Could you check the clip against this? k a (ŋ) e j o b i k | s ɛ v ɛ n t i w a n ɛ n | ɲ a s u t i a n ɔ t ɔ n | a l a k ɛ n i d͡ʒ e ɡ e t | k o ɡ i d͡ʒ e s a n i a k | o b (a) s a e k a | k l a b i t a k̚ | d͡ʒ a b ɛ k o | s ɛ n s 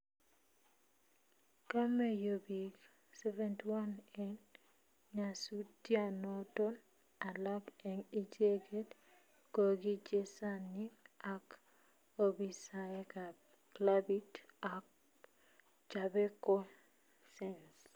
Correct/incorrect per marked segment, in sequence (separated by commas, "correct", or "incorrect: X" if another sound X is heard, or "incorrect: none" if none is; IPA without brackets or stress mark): incorrect: m, incorrect: i